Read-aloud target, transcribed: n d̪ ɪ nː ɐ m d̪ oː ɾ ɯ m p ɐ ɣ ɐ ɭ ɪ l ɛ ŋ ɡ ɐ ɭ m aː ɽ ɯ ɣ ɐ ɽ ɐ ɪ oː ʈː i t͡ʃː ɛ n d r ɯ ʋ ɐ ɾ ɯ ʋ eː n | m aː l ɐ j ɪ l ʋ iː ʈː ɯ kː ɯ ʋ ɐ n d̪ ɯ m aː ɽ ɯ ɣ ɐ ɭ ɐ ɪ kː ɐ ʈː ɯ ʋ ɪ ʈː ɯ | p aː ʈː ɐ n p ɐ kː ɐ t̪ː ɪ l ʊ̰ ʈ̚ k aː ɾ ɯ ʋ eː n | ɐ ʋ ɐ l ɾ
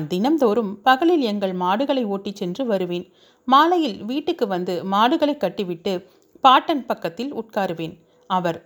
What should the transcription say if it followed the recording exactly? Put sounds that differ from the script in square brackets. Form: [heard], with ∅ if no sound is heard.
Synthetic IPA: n d̪ ɪ [n] ɐ m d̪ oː ɾ ɯ m p ɐ ɣ ɐ ɭ ɪ l ɛ ŋ ɡ ɐ ɭ m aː ɽ ɯ ɣ ɐ [ɭ] ɐ ɪ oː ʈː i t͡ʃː ɛ n d r ɯ ʋ ɐ ɾ ɯ ʋ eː n | m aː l ɐ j ɪ l ʋ iː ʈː ɯ kː ɯ ʋ ɐ n d̪ ɯ m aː ɽ ɯ ɣ ɐ ɭ ɐ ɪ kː ɐ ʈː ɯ ʋ ɪ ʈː ɯ | p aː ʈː ɐ n p ɐ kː ɐ t̪ː ɪ l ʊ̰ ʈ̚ k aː ɾ ɯ ʋ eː n | ɐ ʋ ɐ [∅] ɾ